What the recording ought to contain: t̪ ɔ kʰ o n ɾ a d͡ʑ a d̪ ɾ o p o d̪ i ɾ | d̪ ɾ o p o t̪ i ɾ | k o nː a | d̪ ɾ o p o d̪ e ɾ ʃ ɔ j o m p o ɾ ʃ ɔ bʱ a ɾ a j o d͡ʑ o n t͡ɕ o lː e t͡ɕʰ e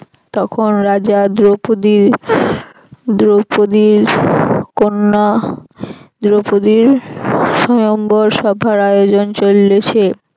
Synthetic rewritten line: t̪ ɔ kʰ o n ɾ a d͡ʑ a d̪ ɾ o p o d̪ i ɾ | d̪ ɾ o p o d̪ i ɾ | k o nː a | d̪ ɾ o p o d̪ i ɾ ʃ ɔ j o m b o ɾ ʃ ɔ bʱ a ɾ a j o d͡ʑ o n t͡ɕ o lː e t͡ɕʰ e

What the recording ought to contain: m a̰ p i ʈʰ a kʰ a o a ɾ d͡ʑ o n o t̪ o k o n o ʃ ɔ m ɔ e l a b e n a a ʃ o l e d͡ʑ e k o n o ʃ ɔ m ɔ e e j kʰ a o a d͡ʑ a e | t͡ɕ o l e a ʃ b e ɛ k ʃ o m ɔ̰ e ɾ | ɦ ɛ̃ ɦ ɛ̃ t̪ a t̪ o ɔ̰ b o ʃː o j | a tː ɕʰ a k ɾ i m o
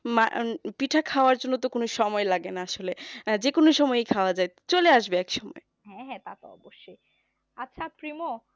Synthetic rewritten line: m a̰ p i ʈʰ a kʰ a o a ɾ d͡ʑ o nː o t̪ o k o n o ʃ ɔ m ɔ e l a ɡ e n a a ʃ o l e d͡ʑ e k o n o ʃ ɔ m ɔ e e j kʰ a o a d͡ʑ a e | t͡ɕ o l e a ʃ b e ɛ k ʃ ɔ m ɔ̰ e | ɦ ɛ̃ ɦ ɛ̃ t̪ a t̪ o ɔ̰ b o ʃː o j | a tː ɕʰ a p ɾ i m o

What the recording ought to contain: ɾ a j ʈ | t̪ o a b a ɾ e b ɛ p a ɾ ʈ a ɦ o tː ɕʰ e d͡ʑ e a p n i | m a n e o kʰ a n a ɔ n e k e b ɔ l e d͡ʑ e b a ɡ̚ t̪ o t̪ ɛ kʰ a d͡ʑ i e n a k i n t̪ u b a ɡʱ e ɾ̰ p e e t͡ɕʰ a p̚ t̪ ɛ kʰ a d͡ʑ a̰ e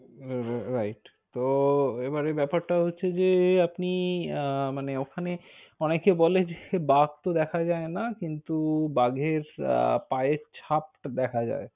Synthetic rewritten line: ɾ a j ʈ | t̪ o e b a ɾ e b ɛ p a ɾ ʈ a ɦ o tː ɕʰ e d͡ʑ e a p n i | m a n e o kʰ a n e ɔ n e k e b ɔ l e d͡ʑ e b a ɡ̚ t̪ o d̪ ɛ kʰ a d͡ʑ a e n a k i n t̪ u b a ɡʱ e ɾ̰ p a e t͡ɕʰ a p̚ d̪ ɛ kʰ a d͡ʑ a̰ e

